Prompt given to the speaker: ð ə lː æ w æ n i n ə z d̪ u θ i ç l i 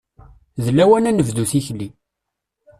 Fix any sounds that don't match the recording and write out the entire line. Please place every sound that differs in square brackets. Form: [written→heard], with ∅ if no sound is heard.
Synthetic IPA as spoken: ð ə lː æ w æ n [i→æ] n ə [z→v] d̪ u θ i ç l i